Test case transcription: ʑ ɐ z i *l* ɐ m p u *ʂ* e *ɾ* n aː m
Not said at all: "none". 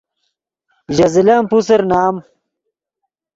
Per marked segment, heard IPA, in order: l, s, ɾ

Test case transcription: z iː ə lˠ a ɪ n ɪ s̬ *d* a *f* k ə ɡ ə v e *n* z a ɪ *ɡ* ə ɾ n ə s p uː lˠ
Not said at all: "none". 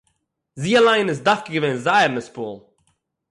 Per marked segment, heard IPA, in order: d, f, n, none

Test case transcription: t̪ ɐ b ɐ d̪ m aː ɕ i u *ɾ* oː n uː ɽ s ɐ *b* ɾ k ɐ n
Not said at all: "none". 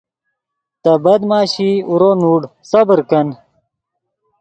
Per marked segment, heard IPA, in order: ɾ, b

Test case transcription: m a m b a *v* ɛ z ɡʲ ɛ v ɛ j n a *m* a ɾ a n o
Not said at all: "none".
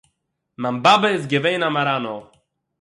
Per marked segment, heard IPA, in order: b, m

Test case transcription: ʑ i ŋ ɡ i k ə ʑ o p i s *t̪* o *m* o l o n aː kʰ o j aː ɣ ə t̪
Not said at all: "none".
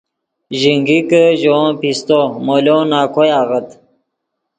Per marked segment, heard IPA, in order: t̪, m

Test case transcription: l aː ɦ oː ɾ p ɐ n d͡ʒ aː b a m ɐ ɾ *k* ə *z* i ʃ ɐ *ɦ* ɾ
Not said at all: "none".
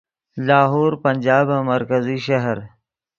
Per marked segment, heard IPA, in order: k, z, ɦ

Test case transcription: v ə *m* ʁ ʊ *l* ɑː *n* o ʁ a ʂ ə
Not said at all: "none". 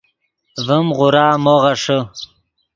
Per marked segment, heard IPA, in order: m, ɾ, m

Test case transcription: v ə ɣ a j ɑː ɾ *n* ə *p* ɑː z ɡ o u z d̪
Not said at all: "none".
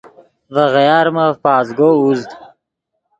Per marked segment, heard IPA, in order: m, p

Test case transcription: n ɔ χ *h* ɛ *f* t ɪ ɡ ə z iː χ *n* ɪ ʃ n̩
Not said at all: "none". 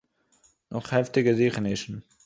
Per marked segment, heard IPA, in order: h, f, n

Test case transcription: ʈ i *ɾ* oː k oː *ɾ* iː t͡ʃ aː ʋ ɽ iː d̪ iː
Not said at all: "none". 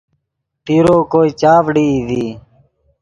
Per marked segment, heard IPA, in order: ɾ, none

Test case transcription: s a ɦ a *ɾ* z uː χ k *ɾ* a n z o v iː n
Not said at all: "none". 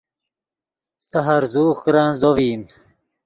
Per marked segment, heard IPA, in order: ɾ, ɾ

